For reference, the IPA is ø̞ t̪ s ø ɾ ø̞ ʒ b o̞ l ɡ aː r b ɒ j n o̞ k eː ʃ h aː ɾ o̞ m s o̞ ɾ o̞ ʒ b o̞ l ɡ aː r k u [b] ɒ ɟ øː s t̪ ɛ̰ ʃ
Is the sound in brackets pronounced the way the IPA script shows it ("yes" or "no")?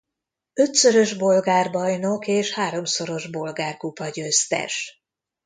no